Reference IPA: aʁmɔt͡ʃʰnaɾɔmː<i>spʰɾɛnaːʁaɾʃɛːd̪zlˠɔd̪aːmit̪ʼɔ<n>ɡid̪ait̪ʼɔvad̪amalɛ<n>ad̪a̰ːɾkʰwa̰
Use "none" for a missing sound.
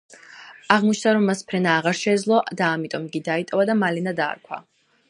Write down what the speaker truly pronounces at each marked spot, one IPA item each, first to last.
a, m, n

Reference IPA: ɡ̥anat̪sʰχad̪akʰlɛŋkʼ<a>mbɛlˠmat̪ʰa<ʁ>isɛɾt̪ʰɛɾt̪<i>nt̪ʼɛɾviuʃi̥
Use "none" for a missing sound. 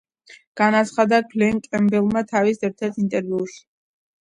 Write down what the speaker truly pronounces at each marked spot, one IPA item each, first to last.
ɛ, v, i

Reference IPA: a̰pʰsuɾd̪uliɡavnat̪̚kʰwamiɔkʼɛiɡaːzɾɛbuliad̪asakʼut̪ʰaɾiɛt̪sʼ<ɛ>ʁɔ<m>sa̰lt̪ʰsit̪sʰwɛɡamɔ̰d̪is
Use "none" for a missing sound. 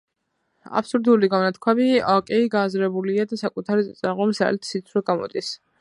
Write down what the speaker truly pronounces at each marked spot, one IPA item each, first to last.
a, m

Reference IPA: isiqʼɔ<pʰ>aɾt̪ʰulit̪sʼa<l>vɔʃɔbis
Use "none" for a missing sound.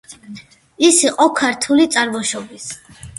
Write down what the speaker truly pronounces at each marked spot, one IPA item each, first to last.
kʰ, ɾ

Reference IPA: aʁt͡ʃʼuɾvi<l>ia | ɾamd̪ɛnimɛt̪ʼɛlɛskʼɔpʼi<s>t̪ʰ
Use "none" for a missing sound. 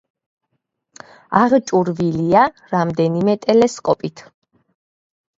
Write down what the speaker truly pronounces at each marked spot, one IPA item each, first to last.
l, none

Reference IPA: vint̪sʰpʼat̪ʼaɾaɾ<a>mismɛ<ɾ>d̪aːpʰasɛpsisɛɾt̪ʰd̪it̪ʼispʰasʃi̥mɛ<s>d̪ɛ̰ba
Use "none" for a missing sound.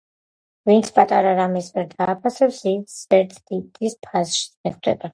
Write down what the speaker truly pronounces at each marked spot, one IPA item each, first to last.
a, ɾ, χ

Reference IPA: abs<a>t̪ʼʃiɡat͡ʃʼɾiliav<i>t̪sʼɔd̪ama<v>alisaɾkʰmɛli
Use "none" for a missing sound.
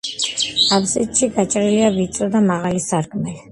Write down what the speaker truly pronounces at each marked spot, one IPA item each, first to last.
i, i, ʁ

